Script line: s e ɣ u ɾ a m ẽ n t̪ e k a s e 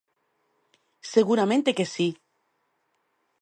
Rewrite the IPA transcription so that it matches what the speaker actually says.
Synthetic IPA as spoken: s e ɣ u ɾ a m ẽ n t̪ e k e s i